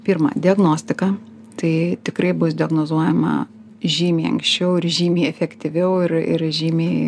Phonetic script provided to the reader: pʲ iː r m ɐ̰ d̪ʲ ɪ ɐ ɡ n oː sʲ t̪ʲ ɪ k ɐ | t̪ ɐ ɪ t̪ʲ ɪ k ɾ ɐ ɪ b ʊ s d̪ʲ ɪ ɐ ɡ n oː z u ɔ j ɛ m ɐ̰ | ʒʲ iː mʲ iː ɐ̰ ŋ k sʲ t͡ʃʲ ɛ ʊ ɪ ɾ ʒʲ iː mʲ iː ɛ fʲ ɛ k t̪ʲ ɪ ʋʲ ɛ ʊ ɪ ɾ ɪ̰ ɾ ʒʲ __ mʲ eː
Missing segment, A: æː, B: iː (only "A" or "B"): B